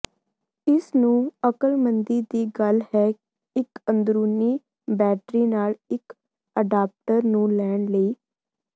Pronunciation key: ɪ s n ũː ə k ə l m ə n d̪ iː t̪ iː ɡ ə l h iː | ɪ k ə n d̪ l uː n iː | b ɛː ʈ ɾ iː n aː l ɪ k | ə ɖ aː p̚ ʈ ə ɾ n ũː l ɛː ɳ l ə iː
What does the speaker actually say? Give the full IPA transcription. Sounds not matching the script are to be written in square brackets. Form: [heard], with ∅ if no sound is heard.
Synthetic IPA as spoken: ɪ s n ũː ə k ə l m ə n d̪ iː [d̪] iː ɡ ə l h [ɛː] | ɪ k ə n d̪ [ɾ] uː n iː | b ɛː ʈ ɾ iː n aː l ɪ k | ə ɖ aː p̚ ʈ ə ɾ n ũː l ɛː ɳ l ə iː